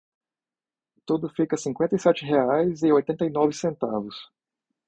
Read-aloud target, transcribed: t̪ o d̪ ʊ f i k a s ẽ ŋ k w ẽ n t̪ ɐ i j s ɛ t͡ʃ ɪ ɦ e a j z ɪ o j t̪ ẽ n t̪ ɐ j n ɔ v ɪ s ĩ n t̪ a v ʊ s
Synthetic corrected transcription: t̪ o d̪ ʊ f i k ɐ s ĩ ŋ k w ẽ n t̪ ɐ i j s ɛ t͡ʃ ɪ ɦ e a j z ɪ o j t̪ ẽ n t̪ ɐ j n ɔ v ɪ s ẽ n t̪ a v ʊ s